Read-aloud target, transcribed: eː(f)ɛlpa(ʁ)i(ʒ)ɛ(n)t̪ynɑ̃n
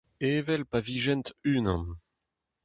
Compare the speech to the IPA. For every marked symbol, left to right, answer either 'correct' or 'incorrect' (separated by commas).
incorrect, incorrect, correct, correct